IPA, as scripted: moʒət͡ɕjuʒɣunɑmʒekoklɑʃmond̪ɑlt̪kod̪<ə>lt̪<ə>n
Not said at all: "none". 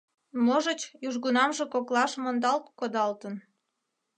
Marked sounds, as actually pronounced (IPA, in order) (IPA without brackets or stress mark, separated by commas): ɑ, ə